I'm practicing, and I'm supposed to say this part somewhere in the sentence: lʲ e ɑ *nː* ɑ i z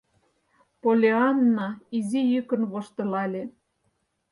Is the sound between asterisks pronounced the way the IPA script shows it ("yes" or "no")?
yes